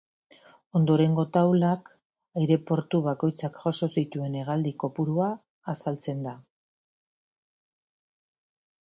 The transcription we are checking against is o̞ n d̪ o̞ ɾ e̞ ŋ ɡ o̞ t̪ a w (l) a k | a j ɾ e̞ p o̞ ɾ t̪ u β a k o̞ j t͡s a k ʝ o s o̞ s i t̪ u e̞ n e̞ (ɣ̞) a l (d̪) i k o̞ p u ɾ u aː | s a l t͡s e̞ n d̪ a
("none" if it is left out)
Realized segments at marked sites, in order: l, ɣ̞, d̪

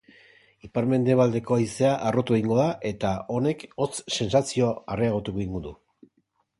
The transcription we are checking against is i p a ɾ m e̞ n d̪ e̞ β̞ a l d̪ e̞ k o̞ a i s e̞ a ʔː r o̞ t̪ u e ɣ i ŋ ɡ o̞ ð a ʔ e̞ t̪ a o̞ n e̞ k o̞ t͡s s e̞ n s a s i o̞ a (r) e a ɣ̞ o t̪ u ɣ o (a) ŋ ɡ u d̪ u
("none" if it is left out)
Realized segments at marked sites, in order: r, i

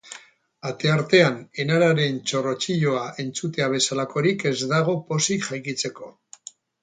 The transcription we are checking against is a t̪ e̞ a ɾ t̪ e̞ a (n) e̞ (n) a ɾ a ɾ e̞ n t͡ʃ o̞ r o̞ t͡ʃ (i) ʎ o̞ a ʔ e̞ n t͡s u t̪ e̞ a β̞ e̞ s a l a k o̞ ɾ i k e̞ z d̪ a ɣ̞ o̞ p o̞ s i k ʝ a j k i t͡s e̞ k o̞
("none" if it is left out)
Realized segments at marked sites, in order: n, n, i

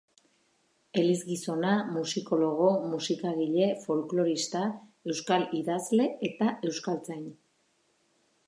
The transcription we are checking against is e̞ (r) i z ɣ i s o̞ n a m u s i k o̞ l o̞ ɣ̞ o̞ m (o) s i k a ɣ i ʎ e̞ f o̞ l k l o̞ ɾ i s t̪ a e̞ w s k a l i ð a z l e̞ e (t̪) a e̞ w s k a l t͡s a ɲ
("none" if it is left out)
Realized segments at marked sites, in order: l, u, t̪

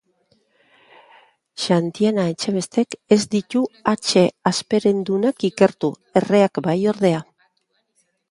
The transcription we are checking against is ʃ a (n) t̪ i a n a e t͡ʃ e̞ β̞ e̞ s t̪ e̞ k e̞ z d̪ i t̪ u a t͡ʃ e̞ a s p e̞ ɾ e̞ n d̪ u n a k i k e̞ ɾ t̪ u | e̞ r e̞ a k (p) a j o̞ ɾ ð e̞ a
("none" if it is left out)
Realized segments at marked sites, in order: n, b

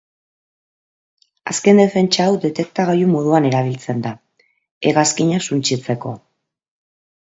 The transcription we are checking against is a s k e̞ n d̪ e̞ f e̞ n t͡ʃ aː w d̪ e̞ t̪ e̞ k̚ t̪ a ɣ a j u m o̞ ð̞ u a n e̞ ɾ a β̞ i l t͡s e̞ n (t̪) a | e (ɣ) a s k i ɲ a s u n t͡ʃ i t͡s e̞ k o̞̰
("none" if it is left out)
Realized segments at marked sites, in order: d̪, ɣ

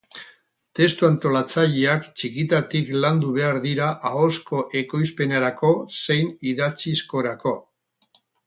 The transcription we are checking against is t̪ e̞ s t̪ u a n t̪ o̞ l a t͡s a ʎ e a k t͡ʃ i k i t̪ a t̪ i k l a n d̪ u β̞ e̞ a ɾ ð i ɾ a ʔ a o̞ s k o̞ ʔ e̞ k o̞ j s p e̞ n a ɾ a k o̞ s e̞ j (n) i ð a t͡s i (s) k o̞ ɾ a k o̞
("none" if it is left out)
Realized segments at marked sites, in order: n, s

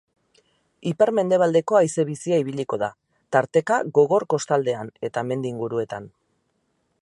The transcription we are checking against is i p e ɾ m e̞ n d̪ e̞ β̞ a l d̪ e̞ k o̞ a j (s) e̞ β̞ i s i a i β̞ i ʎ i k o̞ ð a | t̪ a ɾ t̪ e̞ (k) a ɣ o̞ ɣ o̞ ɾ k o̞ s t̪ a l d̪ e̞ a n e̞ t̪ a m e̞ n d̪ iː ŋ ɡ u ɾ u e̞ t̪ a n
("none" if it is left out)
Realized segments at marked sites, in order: s, k

